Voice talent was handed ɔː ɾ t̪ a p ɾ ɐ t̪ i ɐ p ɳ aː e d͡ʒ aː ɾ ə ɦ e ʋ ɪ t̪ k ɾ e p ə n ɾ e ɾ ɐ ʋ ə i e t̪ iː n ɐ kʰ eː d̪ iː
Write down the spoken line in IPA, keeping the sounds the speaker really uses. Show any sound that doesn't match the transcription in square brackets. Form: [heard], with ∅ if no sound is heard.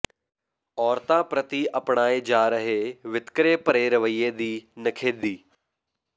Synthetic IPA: ɔː ɾ t̪ a p ɾ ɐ t̪ i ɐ p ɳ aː e d͡ʒ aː ɾ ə ɦ e ʋ ɪ t̪ k ɾ e p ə [∅] ɾ e ɾ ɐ ʋ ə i e [d̪] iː n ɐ kʰ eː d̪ iː